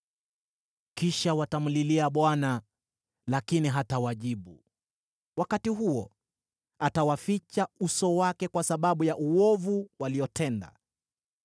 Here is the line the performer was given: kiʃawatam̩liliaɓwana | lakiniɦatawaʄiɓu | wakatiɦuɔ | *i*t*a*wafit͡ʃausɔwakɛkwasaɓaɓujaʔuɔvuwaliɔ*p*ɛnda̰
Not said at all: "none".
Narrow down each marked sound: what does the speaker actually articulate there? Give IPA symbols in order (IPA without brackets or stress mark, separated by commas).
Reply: a, a, t